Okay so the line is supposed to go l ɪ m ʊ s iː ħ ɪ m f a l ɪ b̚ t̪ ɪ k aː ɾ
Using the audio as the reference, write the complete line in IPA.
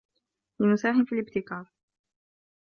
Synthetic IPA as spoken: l ɪ m ʊ s aː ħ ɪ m f i l ɪ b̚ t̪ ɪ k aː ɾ

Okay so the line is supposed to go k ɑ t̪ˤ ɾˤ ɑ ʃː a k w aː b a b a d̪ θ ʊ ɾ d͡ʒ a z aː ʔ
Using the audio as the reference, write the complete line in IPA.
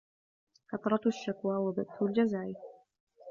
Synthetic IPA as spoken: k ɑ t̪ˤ ɾˤ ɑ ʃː a k w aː w a b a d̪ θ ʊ l d͡ʒ a z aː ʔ

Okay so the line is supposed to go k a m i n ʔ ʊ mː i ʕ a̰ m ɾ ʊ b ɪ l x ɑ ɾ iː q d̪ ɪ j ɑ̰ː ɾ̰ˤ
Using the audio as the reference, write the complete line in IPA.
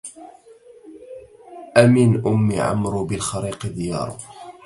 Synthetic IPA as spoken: ʔ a m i n ʔ ʊ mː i ʕ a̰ m ɾ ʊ b ɪ l x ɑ ɾ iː q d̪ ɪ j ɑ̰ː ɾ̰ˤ

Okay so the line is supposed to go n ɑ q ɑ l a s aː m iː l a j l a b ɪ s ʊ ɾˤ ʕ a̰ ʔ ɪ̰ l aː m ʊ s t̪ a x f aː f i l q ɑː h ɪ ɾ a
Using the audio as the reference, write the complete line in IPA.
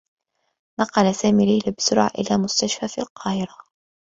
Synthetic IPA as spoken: n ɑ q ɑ l a s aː m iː l a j l a b ɪ s ʊ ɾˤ ʕ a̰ ʔ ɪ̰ l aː m ʊ s t̪ a ʃ f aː f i l q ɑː h ɪ ɾ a

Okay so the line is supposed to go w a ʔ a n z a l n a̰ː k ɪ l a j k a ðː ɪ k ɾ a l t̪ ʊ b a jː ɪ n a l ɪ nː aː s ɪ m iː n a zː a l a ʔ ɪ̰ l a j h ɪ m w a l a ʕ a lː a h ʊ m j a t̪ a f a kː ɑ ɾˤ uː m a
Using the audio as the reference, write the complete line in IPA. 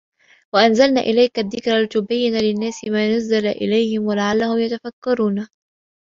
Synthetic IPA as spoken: w a ʔ a n z a l n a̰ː ʔ ɪ l a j k a ðː ɪ k ɾ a l t̪ ʊ b a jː ɪ n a l ɪ nː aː s ɪ m aː n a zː a l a ʔ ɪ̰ l a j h ɪ m w a l a ʕ a lː a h ʊ m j a t̪ a f a kː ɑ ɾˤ uː n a

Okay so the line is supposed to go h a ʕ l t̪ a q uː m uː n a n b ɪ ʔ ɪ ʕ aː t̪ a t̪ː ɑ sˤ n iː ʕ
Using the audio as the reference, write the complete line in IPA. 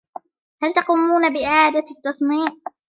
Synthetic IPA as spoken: h a l t̪ ɑ q uː m uː n a b ɪ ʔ ɪ ʕ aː d̪ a t̪ː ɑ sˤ n iː ʕ

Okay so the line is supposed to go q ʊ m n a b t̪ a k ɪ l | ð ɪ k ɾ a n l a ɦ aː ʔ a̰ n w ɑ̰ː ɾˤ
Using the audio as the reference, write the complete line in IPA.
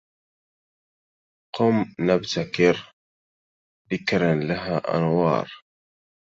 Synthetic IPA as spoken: q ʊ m n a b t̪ a k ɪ ɾ | ð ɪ k ɾ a n l a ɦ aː ʔ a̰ n w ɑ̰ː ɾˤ

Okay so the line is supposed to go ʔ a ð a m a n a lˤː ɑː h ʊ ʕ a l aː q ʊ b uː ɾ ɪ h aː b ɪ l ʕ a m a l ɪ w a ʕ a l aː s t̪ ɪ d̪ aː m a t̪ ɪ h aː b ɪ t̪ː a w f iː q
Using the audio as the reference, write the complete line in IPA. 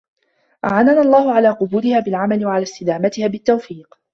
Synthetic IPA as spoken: ʔ a ʕ a n a n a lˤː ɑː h ʊ ʕ a l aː q ʊ b uː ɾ ɪ h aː b ɪ l ʕ a m a l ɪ w a ʕ a l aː s t̪ ɪ d̪ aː m a t̪ ɪ h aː b ɪ t̪ː a w f iː q

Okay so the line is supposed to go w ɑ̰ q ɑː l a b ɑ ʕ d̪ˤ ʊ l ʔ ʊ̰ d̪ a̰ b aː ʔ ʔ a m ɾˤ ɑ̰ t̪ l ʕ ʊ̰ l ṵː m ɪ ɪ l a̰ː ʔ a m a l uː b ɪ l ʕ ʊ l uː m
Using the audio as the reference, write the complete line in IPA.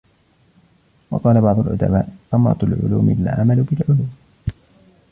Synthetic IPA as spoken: w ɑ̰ q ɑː l a b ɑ ʕ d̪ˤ ʊ l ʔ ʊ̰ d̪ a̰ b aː ʔ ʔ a m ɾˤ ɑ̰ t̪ l ʕ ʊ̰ l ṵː m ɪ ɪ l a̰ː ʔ a m a l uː b ɪ l ʕ ʊ l uː m

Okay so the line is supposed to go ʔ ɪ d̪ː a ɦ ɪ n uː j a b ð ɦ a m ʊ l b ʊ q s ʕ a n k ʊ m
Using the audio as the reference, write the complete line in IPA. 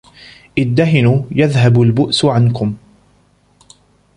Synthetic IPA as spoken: ʔ ɪ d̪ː a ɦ ɪ n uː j a ð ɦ a b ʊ l b ʊ ʔ s ʕ a n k ʊ m

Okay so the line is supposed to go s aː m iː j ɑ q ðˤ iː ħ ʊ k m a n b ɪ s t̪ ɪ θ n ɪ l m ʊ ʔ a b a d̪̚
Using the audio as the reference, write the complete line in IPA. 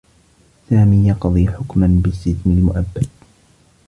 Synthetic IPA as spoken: s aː m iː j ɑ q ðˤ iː ħ ʊ k m a n b ɪ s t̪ ɪ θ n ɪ l m ʊ ʔ a bː a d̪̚

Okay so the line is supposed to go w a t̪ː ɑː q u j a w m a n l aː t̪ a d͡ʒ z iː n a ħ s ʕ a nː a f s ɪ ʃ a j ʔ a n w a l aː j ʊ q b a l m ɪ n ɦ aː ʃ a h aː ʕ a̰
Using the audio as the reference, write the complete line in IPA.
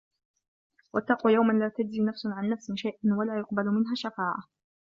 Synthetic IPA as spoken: w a t̪ː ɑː q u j a w m a n l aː t̪ a d͡ʒ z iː n a f s ʕ a nː a f s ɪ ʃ a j ʔ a n w a l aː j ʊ q b a l m ɪ n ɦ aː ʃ a f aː ʕ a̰

